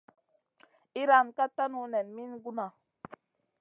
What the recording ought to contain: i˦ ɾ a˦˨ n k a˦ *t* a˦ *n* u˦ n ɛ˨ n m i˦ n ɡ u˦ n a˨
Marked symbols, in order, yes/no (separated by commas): yes, yes